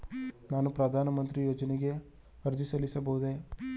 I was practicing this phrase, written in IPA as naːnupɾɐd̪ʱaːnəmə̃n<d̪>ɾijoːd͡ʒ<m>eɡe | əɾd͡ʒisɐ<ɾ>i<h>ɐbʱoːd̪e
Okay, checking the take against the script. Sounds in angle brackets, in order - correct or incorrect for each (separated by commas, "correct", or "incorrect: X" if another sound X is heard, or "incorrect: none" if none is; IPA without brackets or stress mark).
incorrect: t̪, incorrect: n, incorrect: l, incorrect: s